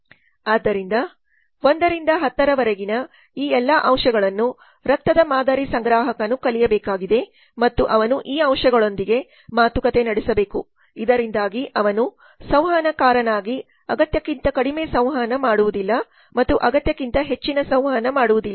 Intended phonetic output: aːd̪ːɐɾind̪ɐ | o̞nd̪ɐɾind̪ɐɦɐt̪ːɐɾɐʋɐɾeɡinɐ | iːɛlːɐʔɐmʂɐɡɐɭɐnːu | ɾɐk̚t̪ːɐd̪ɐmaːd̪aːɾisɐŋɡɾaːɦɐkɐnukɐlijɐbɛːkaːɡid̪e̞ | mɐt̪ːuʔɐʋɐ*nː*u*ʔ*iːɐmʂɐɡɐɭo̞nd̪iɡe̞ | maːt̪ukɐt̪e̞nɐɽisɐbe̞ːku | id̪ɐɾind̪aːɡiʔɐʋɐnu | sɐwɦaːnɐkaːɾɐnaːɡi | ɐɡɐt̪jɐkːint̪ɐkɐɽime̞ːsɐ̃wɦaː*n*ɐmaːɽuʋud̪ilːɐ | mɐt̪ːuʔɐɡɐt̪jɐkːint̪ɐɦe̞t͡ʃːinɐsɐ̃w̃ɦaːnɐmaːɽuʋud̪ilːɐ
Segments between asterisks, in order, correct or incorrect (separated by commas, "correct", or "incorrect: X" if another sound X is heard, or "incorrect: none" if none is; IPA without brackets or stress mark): incorrect: n, correct, correct